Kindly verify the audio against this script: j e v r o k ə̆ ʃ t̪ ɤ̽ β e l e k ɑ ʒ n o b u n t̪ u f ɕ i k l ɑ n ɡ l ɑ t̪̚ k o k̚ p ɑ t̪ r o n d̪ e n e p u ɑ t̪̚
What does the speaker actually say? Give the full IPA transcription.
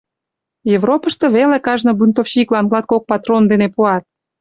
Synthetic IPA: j e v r o p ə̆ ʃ t̪ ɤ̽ β e l e k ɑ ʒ n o b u n t̪ o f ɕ i k l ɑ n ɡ l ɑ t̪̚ k o k̚ p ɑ t̪ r o n d̪ e n e p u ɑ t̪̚